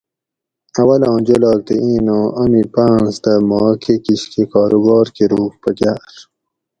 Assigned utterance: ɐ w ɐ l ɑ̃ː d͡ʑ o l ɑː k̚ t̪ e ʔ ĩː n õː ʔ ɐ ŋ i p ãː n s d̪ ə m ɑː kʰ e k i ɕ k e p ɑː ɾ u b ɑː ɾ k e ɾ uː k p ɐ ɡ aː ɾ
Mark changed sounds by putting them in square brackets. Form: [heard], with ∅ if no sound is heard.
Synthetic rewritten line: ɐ w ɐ l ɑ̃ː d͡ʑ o l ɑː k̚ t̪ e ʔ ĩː n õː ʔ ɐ [m] i p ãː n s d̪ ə m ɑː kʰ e k i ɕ k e [k] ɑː ɾ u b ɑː ɾ k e ɾ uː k p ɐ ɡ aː ɾ